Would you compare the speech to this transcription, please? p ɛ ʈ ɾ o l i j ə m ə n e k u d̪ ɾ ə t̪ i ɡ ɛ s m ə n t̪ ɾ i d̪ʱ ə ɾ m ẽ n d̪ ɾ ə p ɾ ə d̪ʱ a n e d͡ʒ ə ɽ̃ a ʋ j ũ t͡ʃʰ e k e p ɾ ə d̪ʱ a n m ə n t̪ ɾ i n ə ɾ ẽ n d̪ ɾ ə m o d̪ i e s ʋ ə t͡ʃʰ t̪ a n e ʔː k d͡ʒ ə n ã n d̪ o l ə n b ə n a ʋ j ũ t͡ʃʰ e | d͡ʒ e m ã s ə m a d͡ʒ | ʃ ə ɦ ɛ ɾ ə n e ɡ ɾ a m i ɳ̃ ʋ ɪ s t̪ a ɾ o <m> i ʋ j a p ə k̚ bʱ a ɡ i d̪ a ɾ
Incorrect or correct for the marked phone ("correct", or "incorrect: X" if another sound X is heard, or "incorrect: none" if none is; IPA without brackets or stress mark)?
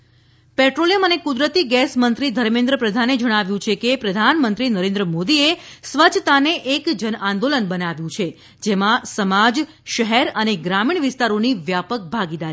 incorrect: n